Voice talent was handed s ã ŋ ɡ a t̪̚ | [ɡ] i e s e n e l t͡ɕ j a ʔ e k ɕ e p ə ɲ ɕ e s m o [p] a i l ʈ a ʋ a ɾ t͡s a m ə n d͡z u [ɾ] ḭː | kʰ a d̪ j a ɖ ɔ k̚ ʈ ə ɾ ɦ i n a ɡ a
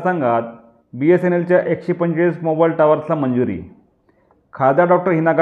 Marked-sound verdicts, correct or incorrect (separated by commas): incorrect, incorrect, correct